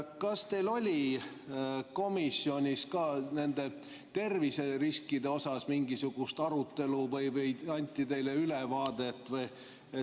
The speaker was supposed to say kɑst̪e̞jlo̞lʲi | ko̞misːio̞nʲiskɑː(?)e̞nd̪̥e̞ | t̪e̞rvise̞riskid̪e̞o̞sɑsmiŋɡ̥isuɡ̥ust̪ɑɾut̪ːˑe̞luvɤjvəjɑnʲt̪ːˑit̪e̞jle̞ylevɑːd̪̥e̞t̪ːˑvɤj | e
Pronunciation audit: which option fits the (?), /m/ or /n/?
n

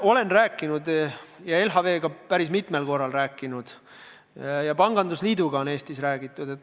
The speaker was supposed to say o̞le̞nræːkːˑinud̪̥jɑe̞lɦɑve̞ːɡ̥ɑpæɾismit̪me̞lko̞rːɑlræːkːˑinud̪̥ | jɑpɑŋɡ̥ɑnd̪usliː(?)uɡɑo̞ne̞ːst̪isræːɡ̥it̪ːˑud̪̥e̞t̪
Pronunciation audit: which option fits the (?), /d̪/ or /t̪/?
d̪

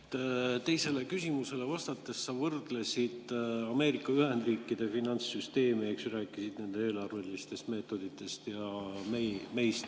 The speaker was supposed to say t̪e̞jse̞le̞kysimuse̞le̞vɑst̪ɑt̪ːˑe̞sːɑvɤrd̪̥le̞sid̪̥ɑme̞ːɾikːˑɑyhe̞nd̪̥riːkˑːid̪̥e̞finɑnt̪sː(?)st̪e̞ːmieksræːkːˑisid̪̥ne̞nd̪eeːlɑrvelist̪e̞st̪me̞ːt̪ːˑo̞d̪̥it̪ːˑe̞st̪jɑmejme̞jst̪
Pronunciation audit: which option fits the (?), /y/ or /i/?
y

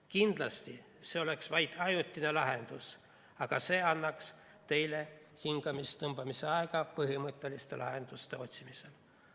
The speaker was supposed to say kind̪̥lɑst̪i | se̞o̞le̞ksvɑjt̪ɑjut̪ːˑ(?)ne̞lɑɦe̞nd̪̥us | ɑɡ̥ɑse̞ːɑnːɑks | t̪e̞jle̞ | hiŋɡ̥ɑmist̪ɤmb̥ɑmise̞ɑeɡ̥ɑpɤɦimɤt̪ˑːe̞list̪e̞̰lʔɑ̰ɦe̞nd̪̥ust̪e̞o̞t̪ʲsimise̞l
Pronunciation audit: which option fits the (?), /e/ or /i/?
i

